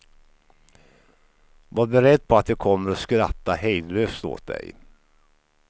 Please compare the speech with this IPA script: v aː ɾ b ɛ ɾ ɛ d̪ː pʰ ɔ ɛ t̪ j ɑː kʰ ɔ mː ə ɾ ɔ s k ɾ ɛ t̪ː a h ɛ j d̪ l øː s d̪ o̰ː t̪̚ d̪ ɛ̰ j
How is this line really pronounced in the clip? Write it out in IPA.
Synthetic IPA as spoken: v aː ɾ b ɛ ɾ ɛ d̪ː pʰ ɔ a t̪ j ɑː kʰ ɔ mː ə ɾ ɔ s k ɾ a t̪ː a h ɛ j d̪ l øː s t̪ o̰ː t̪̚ d̪ ɛ̰ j